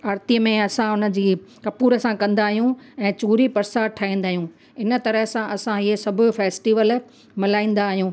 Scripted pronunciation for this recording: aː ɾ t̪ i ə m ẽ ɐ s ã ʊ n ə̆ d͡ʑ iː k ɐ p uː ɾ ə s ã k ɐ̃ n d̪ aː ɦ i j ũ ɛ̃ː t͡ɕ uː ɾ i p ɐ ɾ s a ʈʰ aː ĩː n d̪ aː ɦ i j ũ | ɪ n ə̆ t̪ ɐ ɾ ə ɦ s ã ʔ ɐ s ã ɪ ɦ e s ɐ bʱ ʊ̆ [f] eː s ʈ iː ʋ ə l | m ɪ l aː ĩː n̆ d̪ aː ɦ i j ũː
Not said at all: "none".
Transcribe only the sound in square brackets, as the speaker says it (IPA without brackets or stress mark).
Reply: f